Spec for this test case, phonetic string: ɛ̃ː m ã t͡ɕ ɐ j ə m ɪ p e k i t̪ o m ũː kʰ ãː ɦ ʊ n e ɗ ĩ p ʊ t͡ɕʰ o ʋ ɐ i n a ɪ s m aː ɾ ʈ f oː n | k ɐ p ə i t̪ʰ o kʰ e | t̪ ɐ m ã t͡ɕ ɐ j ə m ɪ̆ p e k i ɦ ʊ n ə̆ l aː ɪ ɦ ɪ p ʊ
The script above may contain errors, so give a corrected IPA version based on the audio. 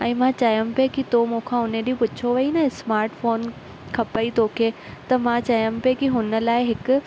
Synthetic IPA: ɛ̃ː m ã t͡ɕ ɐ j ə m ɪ p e k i t̪ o m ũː kʰ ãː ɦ ʊ n e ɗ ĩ p ʊ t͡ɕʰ o ʋ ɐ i n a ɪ s m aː ɾ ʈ f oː n | kʰ ɐ p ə i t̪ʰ o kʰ e | t̪ ɐ m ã t͡ɕ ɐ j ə m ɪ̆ p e k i ɦ ʊ n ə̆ l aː ɪ ɦ ɪ k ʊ